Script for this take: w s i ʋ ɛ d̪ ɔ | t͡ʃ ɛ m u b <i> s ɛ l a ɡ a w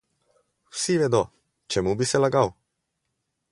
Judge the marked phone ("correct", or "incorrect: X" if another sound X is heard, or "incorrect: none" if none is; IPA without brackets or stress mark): correct